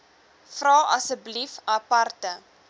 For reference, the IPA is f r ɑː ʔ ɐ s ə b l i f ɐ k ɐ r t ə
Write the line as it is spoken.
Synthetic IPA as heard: f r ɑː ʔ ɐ s ə b l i f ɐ p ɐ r t ə

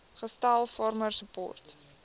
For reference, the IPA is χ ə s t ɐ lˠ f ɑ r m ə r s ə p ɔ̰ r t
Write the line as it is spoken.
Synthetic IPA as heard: χ ə s t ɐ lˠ f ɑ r m ə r s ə p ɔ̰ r t

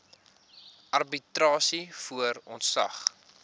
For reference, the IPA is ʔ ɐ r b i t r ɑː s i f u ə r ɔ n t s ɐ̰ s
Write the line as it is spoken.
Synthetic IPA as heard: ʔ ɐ r b i t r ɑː s i f u ə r ɔ n t s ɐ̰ χ

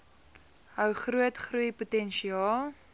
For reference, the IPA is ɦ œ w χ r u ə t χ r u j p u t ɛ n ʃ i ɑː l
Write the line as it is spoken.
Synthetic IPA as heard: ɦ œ w χ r u ə t χ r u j p u t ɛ n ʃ i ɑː l

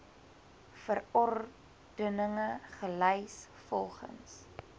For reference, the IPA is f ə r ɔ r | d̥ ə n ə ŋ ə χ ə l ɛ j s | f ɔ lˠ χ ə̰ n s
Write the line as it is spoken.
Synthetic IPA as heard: f ə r ɔ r | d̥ ə n ə ŋ ə χ ə l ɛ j s | f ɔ lˠ χ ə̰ n s

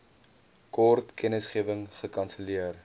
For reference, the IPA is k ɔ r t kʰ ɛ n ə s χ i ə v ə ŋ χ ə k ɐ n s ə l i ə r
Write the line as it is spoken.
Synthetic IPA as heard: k ɔ r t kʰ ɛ n ə s χ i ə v ə ŋ χ ə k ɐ n s ə l i ə r

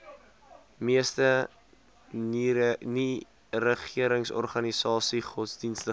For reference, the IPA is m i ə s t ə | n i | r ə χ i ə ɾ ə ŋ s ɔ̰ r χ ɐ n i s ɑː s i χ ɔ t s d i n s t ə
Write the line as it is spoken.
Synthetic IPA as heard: m i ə s t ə | n i | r ə χ i ə ɾ ə ŋ s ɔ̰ r χ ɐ n i s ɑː s i χ ɔ t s d i n s t ə

